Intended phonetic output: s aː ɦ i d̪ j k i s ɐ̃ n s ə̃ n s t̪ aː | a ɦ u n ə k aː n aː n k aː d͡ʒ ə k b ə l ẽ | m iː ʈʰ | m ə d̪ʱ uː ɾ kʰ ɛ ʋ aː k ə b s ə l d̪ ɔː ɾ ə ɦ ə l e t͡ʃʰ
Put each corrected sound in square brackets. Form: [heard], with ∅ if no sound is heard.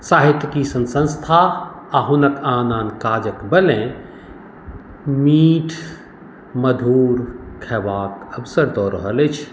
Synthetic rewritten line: s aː ɦ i [t̪] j k i s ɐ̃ n s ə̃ n s [t̪ʰ] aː | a ɦ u n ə k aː n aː n k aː d͡ʒ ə k b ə l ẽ | m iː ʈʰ | m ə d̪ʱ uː ɾ kʰ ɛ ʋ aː k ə b s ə [ɾ] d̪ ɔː ɾ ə ɦ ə l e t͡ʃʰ